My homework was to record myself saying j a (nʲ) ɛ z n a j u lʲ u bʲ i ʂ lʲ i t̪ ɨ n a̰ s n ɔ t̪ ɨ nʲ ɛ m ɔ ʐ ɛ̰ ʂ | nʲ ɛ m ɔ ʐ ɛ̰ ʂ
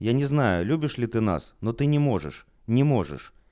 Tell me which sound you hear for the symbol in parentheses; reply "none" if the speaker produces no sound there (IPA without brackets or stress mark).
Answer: nʲ